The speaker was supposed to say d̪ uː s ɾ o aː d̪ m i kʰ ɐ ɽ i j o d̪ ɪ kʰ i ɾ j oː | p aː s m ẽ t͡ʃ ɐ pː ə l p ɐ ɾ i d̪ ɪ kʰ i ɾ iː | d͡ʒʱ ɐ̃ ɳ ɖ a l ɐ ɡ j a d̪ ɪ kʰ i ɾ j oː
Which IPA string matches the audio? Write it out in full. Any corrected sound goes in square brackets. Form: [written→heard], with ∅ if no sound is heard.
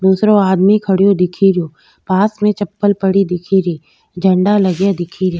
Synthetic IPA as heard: d̪ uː s ɾ o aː d̪ m i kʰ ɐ ɽ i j o d̪ ɪ kʰ i ɾ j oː | p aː s m ẽ t͡ʃ ɐ pː ə l p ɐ [ɾ→ɽ] i d̪ ɪ kʰ i ɾ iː | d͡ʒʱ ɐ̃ ɳ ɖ a l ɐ ɡ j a d̪ ɪ kʰ i ɾ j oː